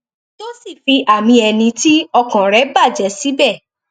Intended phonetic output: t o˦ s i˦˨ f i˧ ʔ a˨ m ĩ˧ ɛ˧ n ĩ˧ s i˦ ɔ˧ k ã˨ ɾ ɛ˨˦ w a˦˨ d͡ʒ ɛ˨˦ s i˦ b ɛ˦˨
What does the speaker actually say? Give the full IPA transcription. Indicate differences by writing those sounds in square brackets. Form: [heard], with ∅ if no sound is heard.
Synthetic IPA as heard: t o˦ s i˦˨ f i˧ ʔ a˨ m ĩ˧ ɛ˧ n ĩ˧ [t] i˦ ɔ˧ k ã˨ ɾ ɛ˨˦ [b] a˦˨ d͡ʒ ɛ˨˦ s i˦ b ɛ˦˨